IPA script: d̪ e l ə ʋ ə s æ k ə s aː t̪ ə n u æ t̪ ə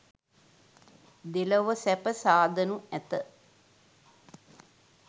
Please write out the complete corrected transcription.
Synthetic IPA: d̪ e l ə ʋ ə s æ p ə s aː d̪ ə n u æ t̪ ə